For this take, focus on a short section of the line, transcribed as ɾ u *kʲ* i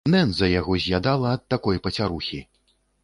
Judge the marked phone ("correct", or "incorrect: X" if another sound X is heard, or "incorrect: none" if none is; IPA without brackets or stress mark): incorrect: xʲ